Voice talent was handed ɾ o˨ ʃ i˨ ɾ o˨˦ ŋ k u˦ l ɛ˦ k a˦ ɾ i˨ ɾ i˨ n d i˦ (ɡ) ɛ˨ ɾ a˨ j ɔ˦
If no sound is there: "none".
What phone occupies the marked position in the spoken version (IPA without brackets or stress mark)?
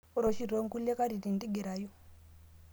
ɡ